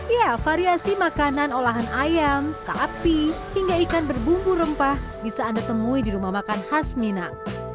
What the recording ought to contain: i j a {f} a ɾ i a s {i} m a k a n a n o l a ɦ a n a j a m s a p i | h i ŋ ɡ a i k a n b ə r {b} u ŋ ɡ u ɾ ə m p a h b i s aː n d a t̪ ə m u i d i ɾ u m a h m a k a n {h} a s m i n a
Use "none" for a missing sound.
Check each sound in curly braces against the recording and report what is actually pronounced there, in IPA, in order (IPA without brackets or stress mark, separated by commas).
f, i, b, h